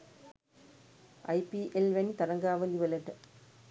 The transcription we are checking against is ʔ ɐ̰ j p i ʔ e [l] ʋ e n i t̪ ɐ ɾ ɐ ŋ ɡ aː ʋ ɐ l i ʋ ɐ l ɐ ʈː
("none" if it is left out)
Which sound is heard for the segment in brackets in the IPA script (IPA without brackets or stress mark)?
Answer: l